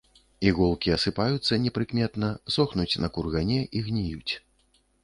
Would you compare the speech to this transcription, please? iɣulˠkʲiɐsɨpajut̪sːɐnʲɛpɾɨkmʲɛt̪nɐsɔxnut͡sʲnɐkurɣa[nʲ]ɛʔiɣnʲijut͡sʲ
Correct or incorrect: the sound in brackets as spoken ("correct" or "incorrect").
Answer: correct